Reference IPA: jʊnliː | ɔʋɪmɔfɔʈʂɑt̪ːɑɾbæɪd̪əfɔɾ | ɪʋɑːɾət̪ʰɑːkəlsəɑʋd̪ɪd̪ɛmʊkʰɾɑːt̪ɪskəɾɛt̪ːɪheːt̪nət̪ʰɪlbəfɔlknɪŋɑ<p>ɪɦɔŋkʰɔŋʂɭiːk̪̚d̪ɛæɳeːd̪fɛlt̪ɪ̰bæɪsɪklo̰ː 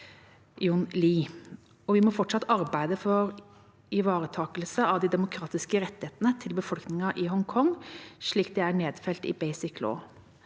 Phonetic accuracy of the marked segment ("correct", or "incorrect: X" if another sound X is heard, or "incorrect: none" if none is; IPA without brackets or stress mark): incorrect: ʔ